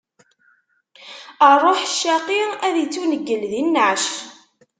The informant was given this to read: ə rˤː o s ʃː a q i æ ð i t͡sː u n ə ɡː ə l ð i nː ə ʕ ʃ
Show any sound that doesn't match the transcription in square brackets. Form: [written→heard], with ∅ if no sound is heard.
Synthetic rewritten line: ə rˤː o [s→ħ] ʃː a q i æ ð i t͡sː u n ə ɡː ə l ð i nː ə ʕ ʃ